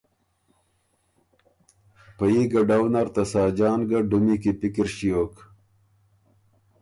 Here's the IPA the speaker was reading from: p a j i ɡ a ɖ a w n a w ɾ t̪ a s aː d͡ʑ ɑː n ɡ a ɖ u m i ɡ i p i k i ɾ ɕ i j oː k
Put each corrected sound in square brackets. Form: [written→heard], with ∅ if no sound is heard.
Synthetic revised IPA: p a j i ɡ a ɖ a w n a [w→∅] ɾ t̪ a s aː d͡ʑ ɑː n ɡ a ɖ u m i [ɡ→k] i p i k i ɾ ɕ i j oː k